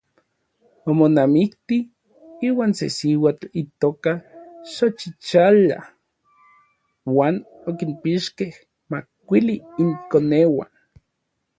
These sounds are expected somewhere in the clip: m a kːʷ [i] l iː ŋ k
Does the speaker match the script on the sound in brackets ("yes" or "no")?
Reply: yes